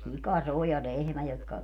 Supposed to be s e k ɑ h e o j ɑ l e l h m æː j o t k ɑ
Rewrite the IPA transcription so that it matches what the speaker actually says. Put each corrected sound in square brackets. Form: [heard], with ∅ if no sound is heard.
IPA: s [i] k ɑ [s] e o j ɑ l e [∅] h m [æ] j o t k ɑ